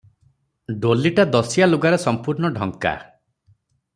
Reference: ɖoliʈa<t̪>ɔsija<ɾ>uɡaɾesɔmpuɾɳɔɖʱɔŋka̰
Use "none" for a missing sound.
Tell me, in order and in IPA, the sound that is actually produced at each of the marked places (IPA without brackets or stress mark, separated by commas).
d̪, l